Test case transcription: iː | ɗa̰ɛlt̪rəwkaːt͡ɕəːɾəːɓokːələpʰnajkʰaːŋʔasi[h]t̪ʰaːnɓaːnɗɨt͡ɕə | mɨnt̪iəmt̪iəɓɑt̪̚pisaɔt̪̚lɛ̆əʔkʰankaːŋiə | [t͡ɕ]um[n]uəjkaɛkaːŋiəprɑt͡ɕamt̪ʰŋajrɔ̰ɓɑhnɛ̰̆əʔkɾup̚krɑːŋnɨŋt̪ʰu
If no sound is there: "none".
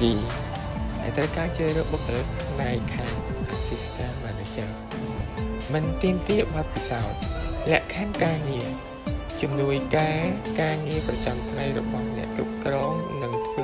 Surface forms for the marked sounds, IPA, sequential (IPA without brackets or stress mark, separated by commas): s, t͡ɕ, n